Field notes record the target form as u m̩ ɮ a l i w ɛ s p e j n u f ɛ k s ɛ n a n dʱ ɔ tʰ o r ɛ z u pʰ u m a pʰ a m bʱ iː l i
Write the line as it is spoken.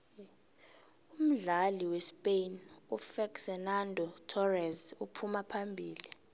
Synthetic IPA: u m̩ ɮ a l i w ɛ s p e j n u f ɛ k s ɛ n a n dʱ ɔ tʰ ɔ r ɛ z u pʰ u m a pʰ a m bʱ iː l i